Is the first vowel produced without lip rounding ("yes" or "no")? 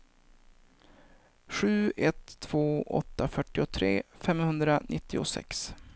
no